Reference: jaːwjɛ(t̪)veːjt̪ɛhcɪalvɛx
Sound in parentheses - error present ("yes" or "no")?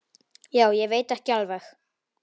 yes